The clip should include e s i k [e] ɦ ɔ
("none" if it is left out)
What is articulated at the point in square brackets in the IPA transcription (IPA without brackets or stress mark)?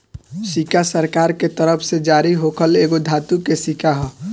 a